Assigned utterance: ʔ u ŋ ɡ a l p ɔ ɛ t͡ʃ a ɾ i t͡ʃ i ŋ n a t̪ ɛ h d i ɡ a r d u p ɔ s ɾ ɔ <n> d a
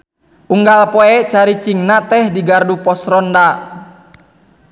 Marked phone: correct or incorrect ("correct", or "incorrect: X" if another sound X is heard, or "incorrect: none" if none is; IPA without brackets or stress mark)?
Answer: correct